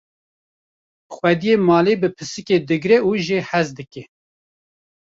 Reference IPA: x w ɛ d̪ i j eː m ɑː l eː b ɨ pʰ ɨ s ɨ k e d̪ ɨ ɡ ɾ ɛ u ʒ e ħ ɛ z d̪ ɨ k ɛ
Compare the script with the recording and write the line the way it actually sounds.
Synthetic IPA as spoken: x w ɛ d̪ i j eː m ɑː l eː b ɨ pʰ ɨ s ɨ k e d̪ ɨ ɡ ɾ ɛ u ʒ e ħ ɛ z d̪ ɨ k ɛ